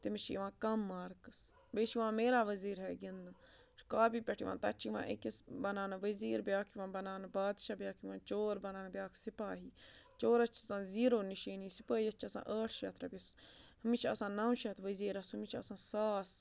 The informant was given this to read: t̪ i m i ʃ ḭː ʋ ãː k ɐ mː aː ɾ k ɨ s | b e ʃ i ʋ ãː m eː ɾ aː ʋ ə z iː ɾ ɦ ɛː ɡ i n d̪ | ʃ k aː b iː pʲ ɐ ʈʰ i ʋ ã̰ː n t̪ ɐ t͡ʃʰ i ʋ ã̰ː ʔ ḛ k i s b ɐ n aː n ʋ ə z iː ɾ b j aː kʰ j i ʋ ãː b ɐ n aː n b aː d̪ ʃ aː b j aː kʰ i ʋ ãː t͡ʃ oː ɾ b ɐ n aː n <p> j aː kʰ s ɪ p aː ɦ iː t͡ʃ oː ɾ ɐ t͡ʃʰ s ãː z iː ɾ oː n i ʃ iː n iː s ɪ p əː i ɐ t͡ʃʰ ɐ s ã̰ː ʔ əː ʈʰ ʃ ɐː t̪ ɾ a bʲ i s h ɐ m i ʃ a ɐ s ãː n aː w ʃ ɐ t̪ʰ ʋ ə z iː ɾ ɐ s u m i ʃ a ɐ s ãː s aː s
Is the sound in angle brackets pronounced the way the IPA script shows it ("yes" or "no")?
no